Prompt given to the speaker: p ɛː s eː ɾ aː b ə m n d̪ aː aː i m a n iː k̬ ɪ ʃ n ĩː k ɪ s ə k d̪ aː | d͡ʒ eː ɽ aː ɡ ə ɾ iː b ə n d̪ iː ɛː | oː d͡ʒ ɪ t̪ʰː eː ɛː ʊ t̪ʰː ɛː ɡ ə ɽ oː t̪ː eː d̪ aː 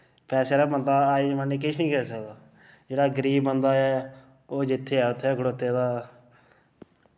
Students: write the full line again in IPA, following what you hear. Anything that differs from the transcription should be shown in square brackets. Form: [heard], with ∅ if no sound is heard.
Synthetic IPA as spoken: p ɛː s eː ɾ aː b ə [∅] n d̪ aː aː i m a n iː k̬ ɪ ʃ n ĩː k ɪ s ə k d̪ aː | d͡ʒ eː ɽ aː ɡ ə ɾ iː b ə n d̪ [aː] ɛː | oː d͡ʒ ɪ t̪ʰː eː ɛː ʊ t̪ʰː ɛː ɡ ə ɽ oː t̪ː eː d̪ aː